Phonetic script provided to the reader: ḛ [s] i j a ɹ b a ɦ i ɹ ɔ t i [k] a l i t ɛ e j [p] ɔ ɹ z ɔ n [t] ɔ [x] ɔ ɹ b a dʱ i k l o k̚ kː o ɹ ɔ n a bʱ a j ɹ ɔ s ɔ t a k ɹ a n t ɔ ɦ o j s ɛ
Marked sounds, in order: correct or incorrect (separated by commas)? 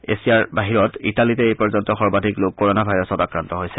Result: correct, incorrect, correct, correct, correct